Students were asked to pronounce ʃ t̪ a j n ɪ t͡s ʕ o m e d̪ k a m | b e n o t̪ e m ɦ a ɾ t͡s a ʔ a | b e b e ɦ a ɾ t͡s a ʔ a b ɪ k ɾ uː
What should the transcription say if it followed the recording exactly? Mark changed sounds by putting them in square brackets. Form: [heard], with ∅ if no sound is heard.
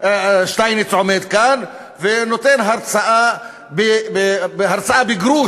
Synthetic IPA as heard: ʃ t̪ a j n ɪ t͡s ʕ o m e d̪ k a [n] | [v] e n o t̪ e [n] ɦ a ɾ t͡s a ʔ a | b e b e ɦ a ɾ t͡s a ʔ a b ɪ [ɡ] ɾ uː